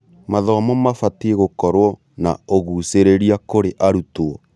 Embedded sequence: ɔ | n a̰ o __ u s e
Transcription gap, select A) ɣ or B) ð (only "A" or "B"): A